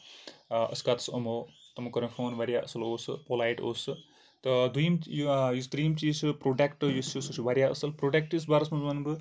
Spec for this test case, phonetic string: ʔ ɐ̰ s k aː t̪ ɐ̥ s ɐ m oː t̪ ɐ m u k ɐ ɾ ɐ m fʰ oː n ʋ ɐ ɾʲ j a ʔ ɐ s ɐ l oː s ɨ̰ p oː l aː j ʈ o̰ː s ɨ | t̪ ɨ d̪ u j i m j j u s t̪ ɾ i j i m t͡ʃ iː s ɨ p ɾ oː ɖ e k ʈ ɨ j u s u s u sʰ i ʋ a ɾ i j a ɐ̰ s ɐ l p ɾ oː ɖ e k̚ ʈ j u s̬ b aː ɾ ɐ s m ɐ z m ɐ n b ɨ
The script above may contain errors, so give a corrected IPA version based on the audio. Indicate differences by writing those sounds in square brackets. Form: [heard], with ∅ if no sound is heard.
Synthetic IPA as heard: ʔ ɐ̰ s k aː t̪ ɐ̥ s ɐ m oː t̪ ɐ m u k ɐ ɾ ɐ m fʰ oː n ʋ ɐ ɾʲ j a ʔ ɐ s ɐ l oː s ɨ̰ p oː l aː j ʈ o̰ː s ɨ | t̪ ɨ d̪ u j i m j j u s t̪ ɾ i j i m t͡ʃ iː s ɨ p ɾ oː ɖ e k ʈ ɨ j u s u s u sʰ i ʋ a ɾ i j a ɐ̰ s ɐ l p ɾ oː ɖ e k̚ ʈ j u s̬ b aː ɾ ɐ s m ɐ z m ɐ n b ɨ

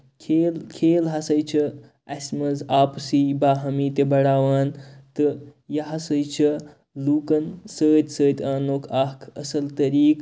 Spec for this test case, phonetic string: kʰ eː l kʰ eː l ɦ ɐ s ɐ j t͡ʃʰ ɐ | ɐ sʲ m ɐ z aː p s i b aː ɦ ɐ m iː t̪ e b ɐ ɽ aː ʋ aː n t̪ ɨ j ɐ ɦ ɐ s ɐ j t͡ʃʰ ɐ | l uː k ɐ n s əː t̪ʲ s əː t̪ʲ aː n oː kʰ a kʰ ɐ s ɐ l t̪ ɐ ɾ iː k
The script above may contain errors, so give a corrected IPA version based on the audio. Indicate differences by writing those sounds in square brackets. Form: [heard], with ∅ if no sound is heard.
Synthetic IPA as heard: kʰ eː l kʰ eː l ɦ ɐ s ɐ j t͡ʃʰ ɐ | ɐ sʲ m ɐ z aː p s i b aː ɦ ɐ m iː t̪ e b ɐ ɽ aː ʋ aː n t̪ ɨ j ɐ ɦ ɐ s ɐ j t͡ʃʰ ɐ | l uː k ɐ n s əː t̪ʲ s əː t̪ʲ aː n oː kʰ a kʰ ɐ s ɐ l t̪ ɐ ɾ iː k

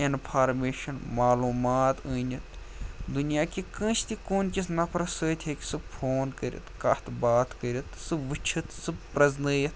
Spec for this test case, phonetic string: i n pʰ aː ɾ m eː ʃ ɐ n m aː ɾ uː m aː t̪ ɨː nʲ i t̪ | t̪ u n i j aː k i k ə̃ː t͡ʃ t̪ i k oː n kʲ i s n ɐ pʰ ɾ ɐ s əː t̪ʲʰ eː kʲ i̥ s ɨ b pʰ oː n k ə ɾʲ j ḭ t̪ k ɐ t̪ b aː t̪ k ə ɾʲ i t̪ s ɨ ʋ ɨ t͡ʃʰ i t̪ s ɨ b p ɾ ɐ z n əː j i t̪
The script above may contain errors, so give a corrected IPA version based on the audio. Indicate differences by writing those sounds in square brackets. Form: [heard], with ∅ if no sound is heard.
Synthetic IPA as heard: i n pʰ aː ɾ m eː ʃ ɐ n m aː [l] uː m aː t̪ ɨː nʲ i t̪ | [d̪] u n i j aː k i k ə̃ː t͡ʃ t̪ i k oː n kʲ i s n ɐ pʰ ɾ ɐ s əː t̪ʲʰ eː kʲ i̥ s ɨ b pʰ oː n k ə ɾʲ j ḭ t̪ k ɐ t̪ b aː t̪ k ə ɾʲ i t̪ s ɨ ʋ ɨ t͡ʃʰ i t̪ s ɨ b p ɾ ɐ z n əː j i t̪

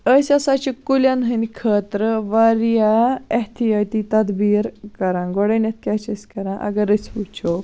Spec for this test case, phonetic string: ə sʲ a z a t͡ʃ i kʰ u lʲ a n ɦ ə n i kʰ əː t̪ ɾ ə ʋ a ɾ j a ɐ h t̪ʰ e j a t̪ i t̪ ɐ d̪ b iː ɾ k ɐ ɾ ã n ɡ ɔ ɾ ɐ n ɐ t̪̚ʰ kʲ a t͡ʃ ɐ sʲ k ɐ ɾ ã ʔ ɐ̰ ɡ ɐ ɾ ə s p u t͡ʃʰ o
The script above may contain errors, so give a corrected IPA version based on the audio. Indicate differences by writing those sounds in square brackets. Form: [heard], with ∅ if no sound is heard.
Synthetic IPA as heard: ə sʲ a [s] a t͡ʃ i [k] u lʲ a n ɦ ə n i kʰ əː t̪ ɾ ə ʋ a ɾ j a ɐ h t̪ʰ [i] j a t̪ i t̪ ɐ d̪ b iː ɾ k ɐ ɾ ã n ɡ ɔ [ɽ] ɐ n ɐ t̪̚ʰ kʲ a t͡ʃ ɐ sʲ k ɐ ɾ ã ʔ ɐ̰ ɡ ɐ ɾ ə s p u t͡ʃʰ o

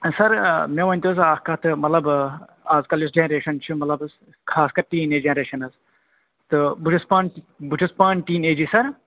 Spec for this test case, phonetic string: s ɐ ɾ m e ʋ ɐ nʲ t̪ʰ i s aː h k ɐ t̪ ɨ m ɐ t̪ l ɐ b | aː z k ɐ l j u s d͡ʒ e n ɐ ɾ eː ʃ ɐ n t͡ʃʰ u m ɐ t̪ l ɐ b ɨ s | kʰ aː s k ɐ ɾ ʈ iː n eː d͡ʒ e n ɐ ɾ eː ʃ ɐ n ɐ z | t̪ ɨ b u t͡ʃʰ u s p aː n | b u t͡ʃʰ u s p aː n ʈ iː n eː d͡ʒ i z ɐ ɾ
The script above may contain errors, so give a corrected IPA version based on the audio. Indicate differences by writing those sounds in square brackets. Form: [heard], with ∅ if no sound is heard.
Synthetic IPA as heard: s ɐ ɾ m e ʋ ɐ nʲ [t̪] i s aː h k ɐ t̪ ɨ m ɐ t̪ l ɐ b | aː z k ɐ l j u s d͡ʒ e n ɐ ɾ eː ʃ ɐ n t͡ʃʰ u m ɐ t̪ l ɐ b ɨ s | kʰ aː s k ɐ ɾ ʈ iː n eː d͡ʒ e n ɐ ɾ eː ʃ ɐ n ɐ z | t̪ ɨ b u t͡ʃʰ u s p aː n | b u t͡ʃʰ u s p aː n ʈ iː n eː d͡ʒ i [s] ɐ ɾ

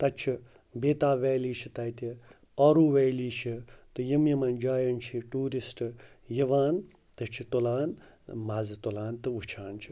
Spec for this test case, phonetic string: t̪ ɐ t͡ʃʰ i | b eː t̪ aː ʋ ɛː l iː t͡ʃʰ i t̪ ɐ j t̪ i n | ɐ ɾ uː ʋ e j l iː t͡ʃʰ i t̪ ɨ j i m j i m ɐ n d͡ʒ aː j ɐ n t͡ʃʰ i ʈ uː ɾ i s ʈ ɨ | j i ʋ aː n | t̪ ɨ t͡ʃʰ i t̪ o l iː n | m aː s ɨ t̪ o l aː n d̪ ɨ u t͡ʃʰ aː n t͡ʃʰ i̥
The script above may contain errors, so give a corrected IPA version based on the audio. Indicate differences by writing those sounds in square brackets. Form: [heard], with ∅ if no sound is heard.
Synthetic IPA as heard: t̪ ɐ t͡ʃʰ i | b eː t̪ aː ʋ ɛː l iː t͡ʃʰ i t̪ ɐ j t̪ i [∅] | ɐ ɾ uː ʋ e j l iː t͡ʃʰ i t̪ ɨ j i m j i m ɐ n d͡ʒ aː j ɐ n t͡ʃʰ i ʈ uː ɾ i s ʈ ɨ | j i ʋ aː n | t̪ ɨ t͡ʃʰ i t̪ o l [aː] n | m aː [z] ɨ t̪ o l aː n [t̪] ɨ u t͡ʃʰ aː n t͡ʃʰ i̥

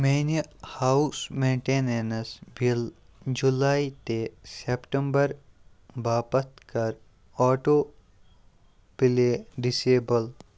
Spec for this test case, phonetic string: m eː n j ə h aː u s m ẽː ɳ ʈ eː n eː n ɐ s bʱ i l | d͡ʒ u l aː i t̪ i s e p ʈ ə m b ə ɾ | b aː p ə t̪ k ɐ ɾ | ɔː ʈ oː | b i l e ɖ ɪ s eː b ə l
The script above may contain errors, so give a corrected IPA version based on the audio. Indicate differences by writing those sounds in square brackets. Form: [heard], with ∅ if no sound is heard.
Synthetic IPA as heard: m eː n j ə h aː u s m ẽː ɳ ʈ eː n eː n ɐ s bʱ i l | d͡ʒ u l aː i t̪ [e] s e p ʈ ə m b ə ɾ | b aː p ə t̪ k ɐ ɾ | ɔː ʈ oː | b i l e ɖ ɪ s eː b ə l

